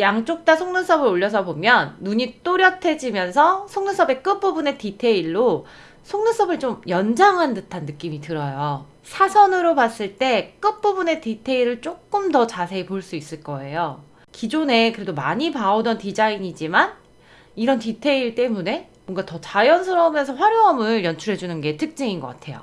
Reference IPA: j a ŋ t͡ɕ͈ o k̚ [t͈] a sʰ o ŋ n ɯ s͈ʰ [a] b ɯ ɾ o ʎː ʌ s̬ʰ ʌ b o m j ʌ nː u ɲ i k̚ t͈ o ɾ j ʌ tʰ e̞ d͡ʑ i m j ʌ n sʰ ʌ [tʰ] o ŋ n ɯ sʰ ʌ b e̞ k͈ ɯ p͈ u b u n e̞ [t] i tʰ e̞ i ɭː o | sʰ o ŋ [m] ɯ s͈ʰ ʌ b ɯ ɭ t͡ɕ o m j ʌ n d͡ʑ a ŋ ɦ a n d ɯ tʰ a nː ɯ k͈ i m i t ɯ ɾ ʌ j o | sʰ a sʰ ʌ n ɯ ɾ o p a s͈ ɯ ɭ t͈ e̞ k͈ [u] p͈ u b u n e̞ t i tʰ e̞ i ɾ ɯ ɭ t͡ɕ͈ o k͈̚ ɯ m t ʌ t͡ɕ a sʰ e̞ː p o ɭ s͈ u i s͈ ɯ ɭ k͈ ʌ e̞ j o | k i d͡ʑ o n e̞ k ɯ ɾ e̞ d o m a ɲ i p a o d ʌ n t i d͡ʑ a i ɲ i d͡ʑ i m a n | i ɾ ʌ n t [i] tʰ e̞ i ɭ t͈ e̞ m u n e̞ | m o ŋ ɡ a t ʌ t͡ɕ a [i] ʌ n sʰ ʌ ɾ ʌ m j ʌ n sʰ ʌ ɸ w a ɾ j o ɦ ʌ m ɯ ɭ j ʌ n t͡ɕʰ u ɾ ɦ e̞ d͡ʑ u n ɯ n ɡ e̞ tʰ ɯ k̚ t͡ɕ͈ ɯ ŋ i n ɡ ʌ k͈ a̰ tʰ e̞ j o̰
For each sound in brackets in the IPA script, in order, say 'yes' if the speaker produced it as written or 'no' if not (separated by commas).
yes, no, no, yes, no, no, yes, no